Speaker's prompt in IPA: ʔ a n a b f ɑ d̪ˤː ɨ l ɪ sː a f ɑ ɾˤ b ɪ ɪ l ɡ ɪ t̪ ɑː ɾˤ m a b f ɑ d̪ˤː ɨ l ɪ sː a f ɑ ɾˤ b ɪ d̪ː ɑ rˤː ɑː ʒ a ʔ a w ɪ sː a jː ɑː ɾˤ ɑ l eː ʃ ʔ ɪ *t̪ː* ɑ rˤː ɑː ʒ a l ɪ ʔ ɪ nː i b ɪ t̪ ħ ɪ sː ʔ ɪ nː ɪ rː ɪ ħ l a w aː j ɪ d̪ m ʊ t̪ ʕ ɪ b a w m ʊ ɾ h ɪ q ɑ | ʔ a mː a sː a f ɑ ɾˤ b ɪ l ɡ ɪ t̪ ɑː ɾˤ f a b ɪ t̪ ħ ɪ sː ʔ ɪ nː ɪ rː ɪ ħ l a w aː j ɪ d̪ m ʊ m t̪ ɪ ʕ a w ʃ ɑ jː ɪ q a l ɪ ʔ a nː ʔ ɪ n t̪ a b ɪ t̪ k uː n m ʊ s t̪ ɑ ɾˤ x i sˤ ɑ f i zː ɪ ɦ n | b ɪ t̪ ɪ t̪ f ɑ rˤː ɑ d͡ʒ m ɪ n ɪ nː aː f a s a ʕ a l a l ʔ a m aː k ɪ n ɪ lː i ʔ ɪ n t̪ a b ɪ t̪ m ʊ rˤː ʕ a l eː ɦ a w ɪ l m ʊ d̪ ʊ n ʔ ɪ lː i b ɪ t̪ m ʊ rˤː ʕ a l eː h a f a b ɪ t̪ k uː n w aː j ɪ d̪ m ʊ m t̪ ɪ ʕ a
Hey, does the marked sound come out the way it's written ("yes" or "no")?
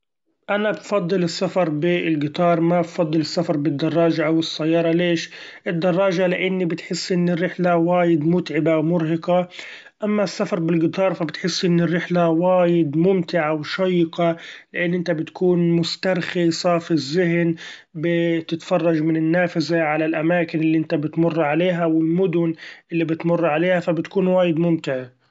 no